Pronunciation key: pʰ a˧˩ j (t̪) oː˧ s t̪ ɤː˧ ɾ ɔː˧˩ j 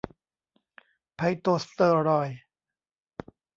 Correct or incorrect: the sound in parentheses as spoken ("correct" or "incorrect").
correct